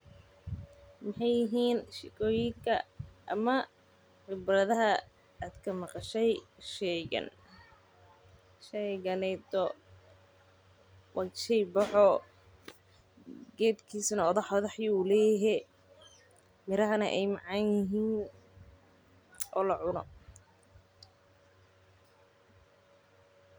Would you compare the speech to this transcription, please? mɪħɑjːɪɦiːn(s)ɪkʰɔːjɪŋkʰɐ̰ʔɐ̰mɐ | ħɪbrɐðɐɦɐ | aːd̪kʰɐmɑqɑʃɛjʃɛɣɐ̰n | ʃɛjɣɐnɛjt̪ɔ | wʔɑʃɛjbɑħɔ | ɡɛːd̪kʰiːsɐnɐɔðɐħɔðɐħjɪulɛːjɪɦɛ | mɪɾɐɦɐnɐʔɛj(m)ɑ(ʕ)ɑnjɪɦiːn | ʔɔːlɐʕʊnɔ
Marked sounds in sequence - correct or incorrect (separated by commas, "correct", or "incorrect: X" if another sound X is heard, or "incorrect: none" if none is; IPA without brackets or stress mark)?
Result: incorrect: ʃ, correct, correct